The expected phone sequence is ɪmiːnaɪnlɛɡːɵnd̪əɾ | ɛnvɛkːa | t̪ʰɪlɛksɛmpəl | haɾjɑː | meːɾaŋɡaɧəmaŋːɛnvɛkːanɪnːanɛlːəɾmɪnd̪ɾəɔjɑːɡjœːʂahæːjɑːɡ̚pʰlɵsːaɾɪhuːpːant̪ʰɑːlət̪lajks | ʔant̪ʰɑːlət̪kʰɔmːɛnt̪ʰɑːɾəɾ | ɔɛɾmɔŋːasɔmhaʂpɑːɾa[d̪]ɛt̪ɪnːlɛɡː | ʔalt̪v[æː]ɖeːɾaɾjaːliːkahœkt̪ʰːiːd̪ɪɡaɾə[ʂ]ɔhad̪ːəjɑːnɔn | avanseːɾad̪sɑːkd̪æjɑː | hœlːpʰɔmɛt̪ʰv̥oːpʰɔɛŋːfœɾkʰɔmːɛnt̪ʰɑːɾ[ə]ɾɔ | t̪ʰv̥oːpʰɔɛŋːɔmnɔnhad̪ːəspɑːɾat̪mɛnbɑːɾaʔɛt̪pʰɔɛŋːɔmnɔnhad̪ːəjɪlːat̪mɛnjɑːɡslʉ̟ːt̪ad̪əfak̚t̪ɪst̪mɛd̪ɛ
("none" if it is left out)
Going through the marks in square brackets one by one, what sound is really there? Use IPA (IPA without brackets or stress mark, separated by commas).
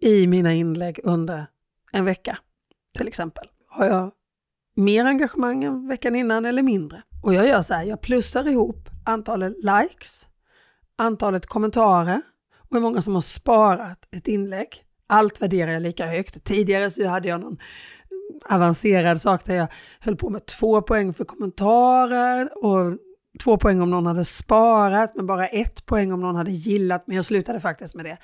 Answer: t̪, æ, s, ə